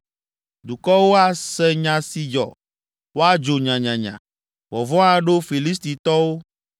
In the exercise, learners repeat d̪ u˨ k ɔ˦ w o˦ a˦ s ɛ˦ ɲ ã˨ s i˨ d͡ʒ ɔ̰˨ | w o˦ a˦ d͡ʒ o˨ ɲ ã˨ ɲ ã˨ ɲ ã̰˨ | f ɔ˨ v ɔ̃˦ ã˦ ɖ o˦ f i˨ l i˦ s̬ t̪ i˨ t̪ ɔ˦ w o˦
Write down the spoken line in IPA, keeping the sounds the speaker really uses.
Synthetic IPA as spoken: d̪ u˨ k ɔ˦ w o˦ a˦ s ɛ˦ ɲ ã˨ s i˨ d͡ʒ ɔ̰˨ | w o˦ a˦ d͡ʒ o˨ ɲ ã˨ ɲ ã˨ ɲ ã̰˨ | v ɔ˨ v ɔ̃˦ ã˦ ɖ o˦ f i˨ l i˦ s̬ t̪ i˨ t̪ ɔ˦ w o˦